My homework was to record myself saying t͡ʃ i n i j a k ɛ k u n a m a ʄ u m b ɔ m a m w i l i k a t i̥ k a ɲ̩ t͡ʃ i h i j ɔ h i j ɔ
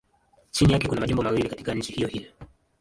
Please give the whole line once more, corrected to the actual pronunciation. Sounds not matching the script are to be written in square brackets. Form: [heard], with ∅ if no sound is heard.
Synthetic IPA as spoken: t͡ʃ i n i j a k ɛ k u n a m a ʄ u m b ɔ m a [∅] w i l i k a t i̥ k a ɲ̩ t͡ʃ i h i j ɔ h i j ɔ